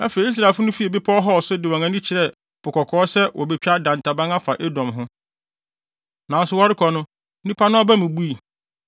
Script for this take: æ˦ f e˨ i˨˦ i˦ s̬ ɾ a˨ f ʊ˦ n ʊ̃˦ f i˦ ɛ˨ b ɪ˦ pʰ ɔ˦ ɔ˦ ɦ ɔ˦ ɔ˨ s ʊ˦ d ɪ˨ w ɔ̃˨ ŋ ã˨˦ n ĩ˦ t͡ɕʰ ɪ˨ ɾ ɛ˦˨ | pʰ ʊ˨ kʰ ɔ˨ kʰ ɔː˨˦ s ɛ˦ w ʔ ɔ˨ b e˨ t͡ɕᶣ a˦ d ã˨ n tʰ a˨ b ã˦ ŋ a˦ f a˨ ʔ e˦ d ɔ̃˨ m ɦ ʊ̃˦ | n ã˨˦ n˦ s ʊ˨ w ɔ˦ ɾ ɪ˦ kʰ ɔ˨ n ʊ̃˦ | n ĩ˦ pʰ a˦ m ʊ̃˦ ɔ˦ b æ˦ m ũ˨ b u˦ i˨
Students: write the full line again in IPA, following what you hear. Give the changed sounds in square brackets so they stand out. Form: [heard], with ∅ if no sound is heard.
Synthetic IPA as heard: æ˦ f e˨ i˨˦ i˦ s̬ ɾ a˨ f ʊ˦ n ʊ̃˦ f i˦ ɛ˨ b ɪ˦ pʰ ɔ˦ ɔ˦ ɦ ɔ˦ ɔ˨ s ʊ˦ d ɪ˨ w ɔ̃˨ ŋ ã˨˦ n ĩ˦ t͡ɕʰ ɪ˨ ɾ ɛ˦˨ | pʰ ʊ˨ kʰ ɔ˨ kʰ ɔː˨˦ s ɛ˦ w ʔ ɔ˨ b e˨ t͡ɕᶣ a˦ d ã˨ n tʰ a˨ b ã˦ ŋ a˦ f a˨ ʔ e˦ d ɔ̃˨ m ɦ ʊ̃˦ | n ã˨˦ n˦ s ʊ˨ w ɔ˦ ɾ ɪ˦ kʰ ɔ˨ n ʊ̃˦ | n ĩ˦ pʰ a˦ [n] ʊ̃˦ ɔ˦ b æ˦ m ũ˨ b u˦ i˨